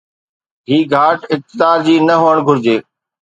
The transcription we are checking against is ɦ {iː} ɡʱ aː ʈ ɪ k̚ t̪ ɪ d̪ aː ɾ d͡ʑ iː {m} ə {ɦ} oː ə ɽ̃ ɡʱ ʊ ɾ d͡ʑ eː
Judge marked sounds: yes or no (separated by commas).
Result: yes, no, yes